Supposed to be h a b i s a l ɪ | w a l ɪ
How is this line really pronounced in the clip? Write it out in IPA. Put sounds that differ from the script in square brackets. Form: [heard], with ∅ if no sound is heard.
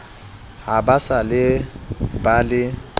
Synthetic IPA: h a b [a] s a l ɪ | [b] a l ɪ